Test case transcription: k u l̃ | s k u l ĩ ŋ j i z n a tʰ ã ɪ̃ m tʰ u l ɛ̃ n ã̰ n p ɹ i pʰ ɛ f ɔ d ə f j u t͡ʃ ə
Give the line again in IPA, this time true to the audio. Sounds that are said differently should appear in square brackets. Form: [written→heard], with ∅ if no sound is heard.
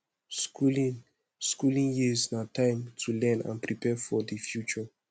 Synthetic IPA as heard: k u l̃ | s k u l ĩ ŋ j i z n a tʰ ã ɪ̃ m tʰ u l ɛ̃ n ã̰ n p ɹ i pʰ ɛ f ɔ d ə f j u t͡ʃ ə